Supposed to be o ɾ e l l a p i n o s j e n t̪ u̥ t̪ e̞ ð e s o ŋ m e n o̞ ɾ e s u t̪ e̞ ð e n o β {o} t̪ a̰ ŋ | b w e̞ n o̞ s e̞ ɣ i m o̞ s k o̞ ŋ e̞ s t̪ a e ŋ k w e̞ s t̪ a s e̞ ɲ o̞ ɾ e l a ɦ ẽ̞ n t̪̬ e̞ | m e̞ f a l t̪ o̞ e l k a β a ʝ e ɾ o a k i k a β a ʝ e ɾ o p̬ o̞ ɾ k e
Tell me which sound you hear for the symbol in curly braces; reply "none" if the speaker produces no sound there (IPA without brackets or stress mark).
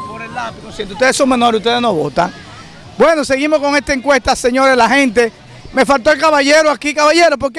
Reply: o